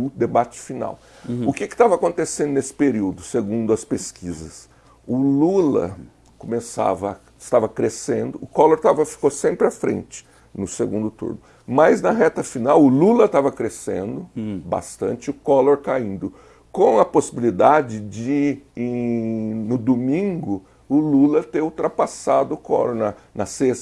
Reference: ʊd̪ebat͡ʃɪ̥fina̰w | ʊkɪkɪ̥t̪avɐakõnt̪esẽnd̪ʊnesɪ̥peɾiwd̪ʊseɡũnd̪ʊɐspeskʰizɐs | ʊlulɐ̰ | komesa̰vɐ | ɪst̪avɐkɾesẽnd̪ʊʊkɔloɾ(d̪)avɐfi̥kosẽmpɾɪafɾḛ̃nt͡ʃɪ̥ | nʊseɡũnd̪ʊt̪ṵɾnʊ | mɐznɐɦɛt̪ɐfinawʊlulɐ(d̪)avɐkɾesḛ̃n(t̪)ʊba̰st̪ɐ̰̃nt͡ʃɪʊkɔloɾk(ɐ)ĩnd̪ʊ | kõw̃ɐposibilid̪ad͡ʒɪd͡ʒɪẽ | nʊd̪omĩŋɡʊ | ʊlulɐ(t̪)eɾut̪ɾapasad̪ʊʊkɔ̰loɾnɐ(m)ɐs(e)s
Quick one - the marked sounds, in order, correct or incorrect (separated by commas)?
incorrect, incorrect, incorrect, incorrect, correct, incorrect, correct